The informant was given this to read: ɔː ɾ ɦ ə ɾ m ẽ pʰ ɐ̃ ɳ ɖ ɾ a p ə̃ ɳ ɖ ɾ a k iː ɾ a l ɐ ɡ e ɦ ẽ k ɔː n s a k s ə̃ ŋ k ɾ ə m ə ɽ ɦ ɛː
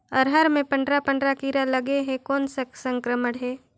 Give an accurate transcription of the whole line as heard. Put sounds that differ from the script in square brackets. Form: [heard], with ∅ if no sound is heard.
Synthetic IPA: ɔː ɾ ɦ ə ɾ m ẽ [p] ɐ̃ ɳ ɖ ɾ a p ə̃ ɳ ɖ ɾ a k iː ɾ a l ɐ ɡ e ɦ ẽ k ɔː n s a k s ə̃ ŋ k ɾ ə m ə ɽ ɦ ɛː